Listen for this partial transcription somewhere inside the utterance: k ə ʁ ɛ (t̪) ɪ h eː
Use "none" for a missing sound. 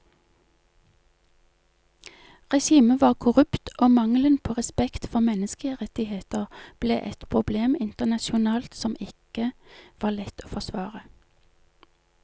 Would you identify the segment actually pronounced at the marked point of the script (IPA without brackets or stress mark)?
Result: t̪